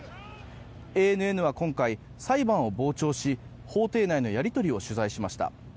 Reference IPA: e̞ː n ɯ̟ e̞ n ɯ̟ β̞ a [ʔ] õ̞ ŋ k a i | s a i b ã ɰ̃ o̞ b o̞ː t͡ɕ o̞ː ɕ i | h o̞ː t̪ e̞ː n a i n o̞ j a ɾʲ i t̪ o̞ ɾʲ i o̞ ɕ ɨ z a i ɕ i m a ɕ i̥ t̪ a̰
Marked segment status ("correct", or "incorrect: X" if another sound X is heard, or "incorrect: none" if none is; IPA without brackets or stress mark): incorrect: k